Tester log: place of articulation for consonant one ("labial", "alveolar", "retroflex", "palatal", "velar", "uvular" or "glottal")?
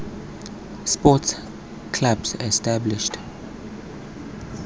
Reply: alveolar